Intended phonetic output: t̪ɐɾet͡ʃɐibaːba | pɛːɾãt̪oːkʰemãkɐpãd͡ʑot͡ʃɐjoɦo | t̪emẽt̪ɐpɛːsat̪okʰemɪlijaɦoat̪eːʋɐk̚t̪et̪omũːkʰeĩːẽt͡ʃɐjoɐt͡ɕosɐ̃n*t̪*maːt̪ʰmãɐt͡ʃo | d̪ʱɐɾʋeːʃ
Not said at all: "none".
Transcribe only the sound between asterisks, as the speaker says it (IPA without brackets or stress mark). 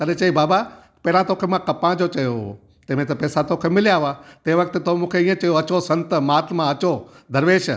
t̪